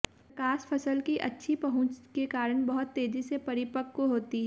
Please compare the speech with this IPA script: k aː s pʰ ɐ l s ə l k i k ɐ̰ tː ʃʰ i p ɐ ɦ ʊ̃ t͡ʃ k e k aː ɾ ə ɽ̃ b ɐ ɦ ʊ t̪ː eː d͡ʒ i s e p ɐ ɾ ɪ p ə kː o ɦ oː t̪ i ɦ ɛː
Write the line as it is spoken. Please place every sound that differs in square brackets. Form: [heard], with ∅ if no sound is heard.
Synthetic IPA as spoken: k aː s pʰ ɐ [∅] s ə l k i [ʔ] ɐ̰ tː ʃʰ i p ɐ ɦ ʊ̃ t͡ʃ k e k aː ɾ ə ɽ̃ b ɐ ɦ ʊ t̪ː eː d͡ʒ i s e p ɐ ɾ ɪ p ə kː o ɦ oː t̪ i ɦ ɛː